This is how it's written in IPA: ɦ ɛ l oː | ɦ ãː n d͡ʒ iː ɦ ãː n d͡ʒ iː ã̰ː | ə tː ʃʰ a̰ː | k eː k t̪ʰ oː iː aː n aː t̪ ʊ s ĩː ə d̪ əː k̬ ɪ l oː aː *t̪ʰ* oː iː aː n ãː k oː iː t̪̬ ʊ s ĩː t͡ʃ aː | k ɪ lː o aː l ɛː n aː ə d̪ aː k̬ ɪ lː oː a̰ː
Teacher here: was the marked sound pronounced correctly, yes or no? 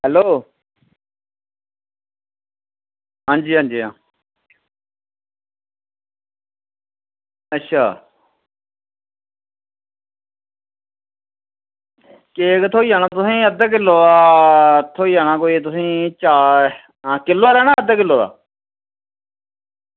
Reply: yes